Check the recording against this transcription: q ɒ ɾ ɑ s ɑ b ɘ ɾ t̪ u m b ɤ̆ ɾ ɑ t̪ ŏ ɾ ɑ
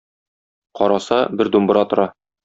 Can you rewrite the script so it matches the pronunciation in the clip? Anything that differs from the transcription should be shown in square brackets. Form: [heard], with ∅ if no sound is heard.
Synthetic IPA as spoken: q ɒ ɾ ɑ s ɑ b ɘ ɾ [d̪] u m b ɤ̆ ɾ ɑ t̪ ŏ ɾ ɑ